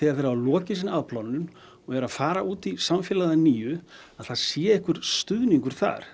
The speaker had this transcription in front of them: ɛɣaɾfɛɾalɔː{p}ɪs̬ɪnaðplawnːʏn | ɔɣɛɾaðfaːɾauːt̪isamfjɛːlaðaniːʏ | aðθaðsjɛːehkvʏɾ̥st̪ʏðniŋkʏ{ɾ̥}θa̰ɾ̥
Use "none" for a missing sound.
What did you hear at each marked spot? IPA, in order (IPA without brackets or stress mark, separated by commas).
c, ɾ̥